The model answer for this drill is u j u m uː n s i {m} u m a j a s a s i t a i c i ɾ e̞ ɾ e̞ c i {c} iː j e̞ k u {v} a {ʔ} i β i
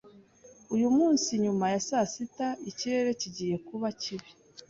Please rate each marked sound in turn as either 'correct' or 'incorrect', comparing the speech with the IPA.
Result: incorrect, incorrect, incorrect, incorrect

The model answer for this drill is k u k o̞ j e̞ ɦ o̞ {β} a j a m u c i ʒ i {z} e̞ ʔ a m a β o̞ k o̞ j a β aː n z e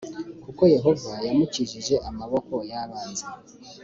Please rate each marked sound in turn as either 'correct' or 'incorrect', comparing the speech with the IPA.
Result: incorrect, incorrect

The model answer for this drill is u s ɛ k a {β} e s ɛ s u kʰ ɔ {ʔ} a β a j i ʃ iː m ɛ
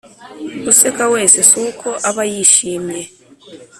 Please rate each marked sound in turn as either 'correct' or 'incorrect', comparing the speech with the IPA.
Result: incorrect, correct

